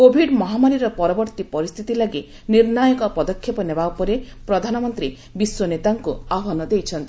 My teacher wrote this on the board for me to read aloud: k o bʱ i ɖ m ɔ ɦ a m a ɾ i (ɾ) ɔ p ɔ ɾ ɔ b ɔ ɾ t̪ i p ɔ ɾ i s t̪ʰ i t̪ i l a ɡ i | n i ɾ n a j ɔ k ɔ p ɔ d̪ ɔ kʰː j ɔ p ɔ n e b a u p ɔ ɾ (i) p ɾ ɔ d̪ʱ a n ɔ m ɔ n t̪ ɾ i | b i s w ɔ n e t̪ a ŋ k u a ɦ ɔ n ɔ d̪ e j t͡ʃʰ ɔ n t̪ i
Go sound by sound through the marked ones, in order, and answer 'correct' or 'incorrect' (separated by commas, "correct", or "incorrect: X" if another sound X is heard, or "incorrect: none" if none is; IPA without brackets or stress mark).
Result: correct, incorrect: e